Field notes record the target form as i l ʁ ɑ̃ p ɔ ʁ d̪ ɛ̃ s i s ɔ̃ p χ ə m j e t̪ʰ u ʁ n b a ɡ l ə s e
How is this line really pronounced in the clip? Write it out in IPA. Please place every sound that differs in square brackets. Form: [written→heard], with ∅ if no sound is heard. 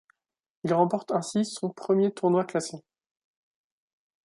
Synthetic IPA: i l ʁ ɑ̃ p ɔ ʁ [d̪→t̪] ɛ̃ s i s ɔ̃ p χ ə m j e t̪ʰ u ʁ n [b→w] a [ɡ→k] l [ə→a] s e